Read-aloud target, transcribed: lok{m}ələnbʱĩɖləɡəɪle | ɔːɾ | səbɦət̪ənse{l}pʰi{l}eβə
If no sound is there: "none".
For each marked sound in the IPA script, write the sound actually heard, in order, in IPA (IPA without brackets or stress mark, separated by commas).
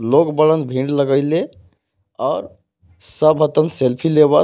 b, l, l